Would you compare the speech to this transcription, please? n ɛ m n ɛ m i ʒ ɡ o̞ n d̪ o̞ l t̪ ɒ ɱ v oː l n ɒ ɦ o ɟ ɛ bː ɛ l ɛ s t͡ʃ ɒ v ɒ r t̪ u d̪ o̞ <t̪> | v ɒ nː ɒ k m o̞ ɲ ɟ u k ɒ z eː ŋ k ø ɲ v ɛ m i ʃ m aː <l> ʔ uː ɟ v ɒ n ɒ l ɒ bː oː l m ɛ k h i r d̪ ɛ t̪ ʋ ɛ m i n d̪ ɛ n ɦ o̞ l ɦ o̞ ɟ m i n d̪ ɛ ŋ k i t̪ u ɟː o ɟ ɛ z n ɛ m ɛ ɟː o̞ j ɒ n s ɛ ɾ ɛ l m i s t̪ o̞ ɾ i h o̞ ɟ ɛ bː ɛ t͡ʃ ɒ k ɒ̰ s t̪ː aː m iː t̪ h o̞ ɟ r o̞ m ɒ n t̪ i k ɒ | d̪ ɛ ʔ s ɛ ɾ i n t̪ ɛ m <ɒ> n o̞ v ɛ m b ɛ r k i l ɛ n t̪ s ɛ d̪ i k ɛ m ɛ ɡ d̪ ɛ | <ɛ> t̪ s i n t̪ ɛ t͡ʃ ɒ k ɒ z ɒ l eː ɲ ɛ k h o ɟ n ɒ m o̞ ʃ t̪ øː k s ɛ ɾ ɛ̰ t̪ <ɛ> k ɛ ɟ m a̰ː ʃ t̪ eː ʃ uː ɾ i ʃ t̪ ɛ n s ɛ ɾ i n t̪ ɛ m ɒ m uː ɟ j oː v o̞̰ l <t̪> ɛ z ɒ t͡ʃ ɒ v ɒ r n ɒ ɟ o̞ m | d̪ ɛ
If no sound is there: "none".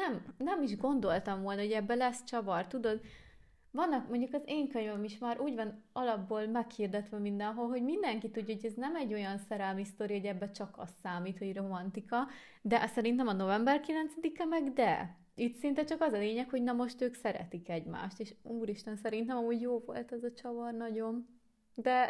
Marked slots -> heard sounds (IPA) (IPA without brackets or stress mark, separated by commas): d̪, ɾ, ɒ, i, i, t̪